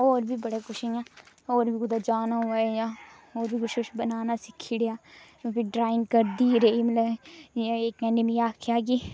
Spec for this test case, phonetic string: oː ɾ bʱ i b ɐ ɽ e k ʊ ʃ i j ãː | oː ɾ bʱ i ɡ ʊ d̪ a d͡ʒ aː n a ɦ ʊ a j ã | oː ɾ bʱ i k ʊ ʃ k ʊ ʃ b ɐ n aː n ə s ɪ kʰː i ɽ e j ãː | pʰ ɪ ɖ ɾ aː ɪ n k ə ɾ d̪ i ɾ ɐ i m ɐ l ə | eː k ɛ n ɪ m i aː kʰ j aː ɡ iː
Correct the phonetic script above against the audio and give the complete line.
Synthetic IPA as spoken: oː ɾ bʱ i b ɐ ɽ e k ʊ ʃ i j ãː | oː ɾ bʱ i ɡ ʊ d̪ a d͡ʒ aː n a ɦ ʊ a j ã | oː ɾ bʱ i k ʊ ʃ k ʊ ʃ b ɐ n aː n a s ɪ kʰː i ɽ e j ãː | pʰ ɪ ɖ ɾ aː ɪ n k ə ɾ d̪ i ɾ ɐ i m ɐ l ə | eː k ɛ n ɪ m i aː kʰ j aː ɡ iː